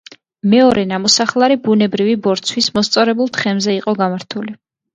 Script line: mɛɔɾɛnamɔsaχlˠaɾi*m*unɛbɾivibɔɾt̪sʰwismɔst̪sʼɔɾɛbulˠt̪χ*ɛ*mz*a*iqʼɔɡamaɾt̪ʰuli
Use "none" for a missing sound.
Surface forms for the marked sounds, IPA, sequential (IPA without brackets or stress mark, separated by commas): b, ɛ, ɛ